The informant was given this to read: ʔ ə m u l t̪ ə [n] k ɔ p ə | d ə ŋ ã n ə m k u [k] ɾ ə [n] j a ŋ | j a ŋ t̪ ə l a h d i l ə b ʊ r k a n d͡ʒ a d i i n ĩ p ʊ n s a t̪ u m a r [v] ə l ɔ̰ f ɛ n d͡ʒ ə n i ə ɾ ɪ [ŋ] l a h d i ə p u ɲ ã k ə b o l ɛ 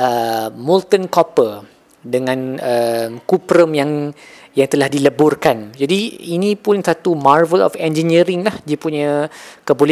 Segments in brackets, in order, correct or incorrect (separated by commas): correct, incorrect, incorrect, correct, correct